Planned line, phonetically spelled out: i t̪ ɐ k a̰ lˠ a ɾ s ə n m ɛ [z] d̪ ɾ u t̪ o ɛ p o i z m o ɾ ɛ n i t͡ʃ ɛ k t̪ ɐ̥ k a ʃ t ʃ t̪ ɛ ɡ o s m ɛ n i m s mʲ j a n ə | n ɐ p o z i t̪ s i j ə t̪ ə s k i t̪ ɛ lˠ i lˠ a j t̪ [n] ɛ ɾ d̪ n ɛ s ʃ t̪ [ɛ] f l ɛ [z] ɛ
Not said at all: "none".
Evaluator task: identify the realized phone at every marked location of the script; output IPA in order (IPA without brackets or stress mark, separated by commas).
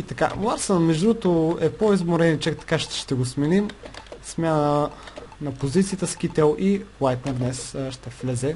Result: ʒ, n, ɛ, z